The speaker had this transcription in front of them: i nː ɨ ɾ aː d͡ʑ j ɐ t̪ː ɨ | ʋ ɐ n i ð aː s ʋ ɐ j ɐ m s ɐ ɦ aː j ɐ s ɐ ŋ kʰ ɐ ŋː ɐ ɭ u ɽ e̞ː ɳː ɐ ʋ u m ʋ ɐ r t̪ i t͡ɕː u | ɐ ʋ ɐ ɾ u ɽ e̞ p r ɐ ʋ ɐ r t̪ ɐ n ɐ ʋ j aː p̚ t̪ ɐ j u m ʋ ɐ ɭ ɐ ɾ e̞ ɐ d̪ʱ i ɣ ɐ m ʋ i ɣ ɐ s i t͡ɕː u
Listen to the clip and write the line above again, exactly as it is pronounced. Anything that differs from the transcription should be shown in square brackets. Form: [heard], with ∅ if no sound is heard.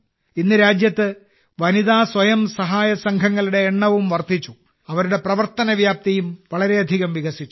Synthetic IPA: i nː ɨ ɾ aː d͡ʑ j ɐ t̪ː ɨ | ʋ ɐ n i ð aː s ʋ ɐ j ɐ m s ɐ ɦ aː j ɐ s ɐ ŋ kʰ ɐ ŋː ɐ ɭ u ɽ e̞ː ɳː ɐ ʋ u m ʋ ɐ r t̪ i t͡ɕː u | ɐ ʋ ɐ ɾ u ɽ e̞ p r ɐ ʋ ɐ r t̪ ɐ n ɐ ʋ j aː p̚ t̪ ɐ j u m ʋ ɐ ɭ ɐ ɾ e̞ ɐ d̪ʱ i ɣ ɐ m ʋ i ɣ ɐ s i t͡ɕː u